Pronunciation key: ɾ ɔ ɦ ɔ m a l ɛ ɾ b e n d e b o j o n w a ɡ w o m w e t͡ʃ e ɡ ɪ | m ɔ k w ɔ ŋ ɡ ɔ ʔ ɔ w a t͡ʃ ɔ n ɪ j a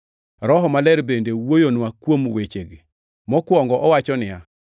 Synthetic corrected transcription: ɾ ɔ ɦ ɔ m a l ɛ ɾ b e n d e w o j o n w a k w o m w e t͡ʃ e ɡ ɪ | m ɔ k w ɔ ŋ ɡ ɔ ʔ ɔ w a t͡ʃ ɔ n ɪ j a